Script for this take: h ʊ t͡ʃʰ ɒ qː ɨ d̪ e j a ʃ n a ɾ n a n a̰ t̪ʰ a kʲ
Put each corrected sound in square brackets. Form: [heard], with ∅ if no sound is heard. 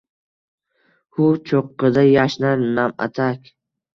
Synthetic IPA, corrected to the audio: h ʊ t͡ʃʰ [o] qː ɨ d̪ [a] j a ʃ n a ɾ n a [m] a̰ t̪ʰ a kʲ